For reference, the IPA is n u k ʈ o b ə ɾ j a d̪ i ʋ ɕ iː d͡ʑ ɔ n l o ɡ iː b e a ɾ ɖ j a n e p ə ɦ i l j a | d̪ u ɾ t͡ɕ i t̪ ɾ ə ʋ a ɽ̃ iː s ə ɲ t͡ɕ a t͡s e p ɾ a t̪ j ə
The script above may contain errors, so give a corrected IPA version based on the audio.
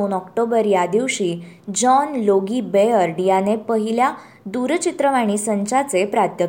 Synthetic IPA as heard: n ɔ k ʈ o b ə ɾ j a d̪ i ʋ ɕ iː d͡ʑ ɔ n l o ɡ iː b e ə ɾ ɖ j a n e p ə ɦ i l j a | d̪ u ɾ t͡ɕ i t̪ ɾ ə ʋ a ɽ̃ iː s ə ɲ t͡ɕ a t͡s e p ɾ a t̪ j ə